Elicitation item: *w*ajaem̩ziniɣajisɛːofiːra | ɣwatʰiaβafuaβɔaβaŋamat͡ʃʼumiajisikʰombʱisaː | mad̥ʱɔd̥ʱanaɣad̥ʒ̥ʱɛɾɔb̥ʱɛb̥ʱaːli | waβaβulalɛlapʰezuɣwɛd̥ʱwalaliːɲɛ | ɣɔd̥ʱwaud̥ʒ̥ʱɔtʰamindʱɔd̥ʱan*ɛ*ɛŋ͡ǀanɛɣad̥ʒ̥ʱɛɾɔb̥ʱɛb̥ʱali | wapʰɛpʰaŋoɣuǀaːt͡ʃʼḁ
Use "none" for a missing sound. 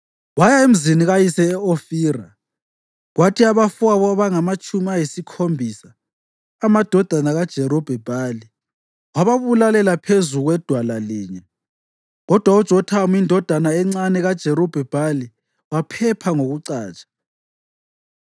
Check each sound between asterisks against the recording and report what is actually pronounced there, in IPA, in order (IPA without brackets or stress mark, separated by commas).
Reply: w, a